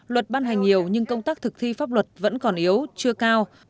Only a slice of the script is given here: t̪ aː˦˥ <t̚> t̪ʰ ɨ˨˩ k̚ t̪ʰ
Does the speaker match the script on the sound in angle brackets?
no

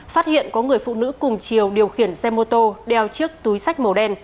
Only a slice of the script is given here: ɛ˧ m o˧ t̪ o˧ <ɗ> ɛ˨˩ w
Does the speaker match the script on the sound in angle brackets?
yes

